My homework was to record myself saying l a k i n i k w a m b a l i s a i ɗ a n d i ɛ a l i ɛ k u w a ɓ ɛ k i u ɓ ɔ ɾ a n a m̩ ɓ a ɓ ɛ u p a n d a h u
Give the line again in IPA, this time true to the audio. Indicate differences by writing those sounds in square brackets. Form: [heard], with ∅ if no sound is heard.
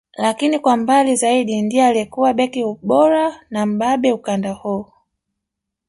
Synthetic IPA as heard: l a k i n i k w a m b a l i [z] a i ɗ [i] n d i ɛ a l i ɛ k u w a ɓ ɛ k i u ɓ ɔ ɾ a n a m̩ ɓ a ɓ ɛ u [k] a n d a h u

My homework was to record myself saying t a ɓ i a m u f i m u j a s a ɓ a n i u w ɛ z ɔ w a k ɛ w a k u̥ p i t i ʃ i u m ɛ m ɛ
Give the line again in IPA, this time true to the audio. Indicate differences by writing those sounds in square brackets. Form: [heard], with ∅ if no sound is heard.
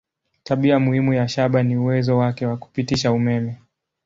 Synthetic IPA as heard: t a ɓ i a m u [h] i m u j a [ʃ] a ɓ a n i u w ɛ z ɔ w a k ɛ w a k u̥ p i t i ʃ [a] u m ɛ m ɛ

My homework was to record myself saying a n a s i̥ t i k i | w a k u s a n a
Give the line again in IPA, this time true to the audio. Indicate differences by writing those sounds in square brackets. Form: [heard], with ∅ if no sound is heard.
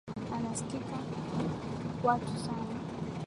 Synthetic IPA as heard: a n a s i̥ [k] i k [a] | w a [t] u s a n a

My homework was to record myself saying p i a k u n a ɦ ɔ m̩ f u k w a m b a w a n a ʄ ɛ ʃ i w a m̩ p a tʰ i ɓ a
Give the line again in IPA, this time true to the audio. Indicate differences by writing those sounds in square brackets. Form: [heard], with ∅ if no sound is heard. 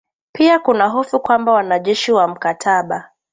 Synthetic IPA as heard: p i a k u n a ɦ ɔ [∅] f u k w a m b a w a n a ʄ ɛ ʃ i w a m̩ [k] a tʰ [a] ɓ a

